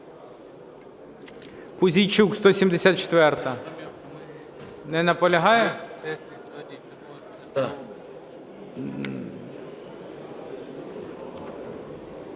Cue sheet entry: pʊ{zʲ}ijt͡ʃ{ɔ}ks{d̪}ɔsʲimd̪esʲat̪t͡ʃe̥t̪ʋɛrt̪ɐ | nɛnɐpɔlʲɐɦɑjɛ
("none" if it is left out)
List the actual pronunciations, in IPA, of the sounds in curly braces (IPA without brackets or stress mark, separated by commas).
zʲ, u, t̪